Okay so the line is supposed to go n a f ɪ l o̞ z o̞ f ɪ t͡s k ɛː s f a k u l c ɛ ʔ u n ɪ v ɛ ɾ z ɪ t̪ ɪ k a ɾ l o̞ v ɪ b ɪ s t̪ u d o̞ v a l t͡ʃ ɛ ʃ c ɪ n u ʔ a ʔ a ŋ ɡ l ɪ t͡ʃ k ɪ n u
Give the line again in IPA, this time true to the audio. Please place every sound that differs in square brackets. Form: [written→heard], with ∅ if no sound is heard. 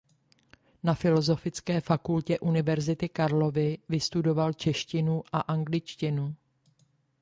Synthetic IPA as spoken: n a f ɪ l o̞ z o̞ f ɪ t͡s k ɛː [s→∅] f a k u l c ɛ ʔ u n ɪ v ɛ ɾ z ɪ t̪ ɪ k a ɾ l o̞ v ɪ [b→v] ɪ s t̪ u d o̞ v a l t͡ʃ ɛ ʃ c ɪ n u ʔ a ʔ a ŋ ɡ l ɪ t͡ʃ [k→c] ɪ n u